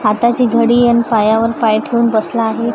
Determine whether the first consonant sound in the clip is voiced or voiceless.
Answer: voiceless